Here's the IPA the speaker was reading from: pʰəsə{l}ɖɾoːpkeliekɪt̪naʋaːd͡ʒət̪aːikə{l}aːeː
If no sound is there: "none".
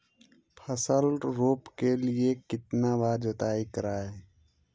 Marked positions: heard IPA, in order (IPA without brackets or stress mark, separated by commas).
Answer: l, ɾ